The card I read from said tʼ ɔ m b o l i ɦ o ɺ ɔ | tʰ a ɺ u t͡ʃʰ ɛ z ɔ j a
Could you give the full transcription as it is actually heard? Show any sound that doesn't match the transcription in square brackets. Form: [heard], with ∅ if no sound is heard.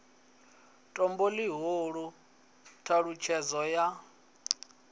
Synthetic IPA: tʼ ɔ m b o l i ɦ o ɺ [u] | tʰ a ɺ u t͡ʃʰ ɛ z ɔ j a